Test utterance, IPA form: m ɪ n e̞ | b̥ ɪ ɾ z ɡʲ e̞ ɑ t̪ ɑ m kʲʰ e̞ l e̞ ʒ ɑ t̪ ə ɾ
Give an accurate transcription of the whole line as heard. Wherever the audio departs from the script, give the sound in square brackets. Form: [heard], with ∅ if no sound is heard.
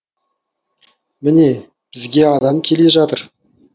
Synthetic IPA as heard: m ɪ n e̞ | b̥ ɪ [∅] z ɡʲ e̞ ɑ [d̪] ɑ m kʲʰ e̞ l e̞ ʒ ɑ t̪ ə ɾ